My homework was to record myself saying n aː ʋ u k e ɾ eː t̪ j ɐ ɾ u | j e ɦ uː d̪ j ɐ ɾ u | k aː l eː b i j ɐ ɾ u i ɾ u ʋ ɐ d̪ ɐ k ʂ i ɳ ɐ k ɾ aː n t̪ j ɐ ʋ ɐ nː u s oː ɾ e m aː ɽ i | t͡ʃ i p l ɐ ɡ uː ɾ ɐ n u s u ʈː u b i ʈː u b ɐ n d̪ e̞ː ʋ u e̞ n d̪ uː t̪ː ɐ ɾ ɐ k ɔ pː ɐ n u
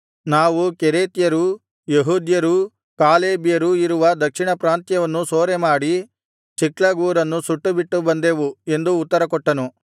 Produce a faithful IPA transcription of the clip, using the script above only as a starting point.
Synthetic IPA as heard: n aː ʋ u k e ɾ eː t̪ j ɐ ɾ u | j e ɦ uː d̪ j ɐ ɾ u | k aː l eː b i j ɐ ɾ u i ɾ u ʋ ɐ d̪ ɐ k ʂ i ɳ ɐ p ɾ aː n t̪ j ɐ ʋ ɐ nː u s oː ɾ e m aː ɽ i | t͡ʃ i k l ɐ ɡ uː ɾ ɐ nː u s u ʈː u b i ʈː u b ɐ n d̪ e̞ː ʋ u e̞ n d̪ uː t̪ː ɐ ɾ ɐ k ɔ ʈː ɐ n u